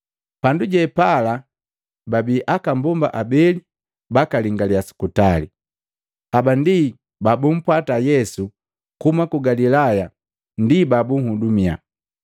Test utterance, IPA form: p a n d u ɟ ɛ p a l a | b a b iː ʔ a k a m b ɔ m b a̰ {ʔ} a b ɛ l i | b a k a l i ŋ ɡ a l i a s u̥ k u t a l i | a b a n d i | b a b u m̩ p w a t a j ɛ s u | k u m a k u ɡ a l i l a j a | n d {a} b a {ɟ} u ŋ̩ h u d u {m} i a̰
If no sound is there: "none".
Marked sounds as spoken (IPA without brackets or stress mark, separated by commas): ʔ, i, b, m